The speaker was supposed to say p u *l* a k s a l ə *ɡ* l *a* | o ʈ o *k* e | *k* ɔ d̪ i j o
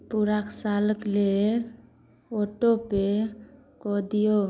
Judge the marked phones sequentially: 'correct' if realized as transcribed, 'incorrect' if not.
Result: incorrect: ɾ, incorrect: k, incorrect: e, incorrect: p, correct

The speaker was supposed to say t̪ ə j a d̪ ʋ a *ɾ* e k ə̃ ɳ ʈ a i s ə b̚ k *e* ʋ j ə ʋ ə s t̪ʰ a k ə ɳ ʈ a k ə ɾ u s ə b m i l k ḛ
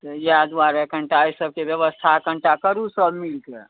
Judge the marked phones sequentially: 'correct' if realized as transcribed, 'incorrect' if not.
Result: correct, correct

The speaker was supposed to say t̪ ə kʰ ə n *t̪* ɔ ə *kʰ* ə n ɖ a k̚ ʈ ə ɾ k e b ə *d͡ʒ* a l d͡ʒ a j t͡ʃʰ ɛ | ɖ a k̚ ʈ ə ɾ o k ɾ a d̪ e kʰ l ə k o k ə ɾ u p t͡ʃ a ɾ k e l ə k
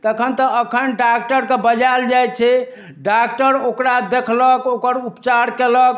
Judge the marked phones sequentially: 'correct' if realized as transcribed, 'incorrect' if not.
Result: correct, correct, correct

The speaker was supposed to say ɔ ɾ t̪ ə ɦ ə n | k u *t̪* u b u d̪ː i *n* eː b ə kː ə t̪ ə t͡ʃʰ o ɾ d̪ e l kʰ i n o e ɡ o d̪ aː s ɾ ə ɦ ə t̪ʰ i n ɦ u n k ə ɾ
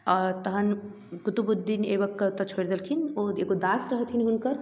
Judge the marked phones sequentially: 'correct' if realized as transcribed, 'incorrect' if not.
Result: correct, correct

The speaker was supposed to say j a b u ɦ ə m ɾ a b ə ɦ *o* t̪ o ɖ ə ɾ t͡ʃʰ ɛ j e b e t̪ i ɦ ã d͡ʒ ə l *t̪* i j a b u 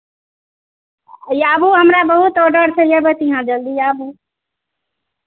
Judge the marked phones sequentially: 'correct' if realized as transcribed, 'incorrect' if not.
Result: incorrect: u, incorrect: d̪

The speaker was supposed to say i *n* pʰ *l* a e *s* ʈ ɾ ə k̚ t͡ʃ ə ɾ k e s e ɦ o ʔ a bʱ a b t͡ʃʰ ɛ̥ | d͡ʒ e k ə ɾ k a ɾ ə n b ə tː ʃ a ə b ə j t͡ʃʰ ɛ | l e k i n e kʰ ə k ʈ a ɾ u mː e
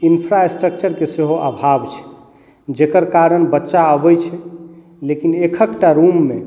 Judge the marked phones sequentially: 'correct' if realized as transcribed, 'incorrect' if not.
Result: correct, incorrect: ɾ, correct

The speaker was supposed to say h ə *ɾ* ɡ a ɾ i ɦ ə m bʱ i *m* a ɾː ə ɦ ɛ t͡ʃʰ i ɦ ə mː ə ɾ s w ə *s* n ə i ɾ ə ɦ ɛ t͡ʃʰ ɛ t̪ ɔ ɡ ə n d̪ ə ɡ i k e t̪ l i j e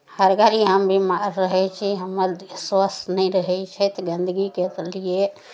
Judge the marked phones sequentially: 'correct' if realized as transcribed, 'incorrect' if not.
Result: correct, correct, correct

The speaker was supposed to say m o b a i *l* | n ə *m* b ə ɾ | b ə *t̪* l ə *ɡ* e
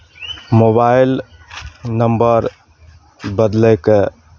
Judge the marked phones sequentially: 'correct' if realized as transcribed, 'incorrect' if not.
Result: correct, correct, incorrect: d̪, incorrect: k

